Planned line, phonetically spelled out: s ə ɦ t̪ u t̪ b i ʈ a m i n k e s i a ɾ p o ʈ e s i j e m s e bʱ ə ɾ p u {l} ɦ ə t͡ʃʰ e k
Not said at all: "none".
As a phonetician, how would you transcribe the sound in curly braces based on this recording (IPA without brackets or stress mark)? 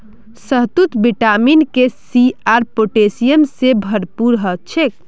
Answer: ɾ